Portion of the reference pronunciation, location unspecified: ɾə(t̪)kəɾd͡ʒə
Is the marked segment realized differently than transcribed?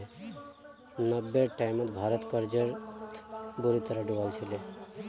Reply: no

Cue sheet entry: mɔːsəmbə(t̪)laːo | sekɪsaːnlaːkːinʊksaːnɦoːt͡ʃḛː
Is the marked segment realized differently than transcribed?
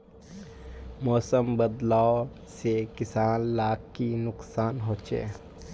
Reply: yes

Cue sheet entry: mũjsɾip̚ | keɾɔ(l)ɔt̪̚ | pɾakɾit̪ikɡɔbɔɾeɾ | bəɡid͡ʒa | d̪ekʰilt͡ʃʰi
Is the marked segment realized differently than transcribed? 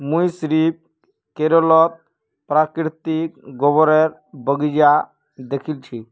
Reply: no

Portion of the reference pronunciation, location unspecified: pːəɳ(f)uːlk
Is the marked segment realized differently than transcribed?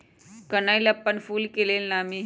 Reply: no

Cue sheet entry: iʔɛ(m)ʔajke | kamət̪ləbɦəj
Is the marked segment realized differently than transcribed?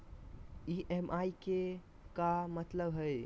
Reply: no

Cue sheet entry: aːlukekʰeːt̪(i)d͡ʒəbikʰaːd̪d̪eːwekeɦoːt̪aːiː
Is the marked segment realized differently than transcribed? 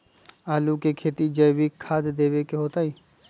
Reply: no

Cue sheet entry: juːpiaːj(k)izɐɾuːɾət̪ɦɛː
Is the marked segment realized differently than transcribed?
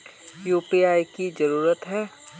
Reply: no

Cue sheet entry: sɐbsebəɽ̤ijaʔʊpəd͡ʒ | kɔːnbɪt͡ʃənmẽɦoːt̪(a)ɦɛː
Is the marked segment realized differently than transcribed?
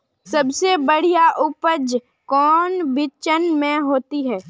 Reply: yes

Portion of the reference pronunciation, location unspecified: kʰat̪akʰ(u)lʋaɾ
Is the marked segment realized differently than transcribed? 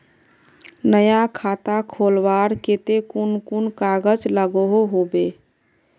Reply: yes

